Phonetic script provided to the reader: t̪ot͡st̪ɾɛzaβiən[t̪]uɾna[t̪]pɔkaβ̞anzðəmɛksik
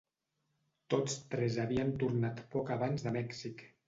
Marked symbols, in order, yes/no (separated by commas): yes, yes